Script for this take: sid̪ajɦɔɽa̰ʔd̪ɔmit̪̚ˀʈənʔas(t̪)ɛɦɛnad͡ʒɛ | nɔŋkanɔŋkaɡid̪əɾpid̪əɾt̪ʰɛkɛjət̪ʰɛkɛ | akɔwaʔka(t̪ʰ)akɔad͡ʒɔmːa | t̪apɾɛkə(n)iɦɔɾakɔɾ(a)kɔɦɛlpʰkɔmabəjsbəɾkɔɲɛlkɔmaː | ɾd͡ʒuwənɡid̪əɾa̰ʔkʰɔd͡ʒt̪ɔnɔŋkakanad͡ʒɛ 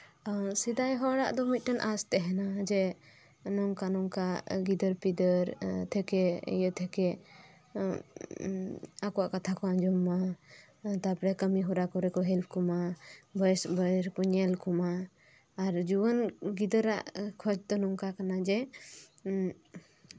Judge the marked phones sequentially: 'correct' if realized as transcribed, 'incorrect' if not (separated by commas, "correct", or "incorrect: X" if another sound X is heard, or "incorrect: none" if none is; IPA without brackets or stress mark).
correct, correct, incorrect: m, incorrect: ɛ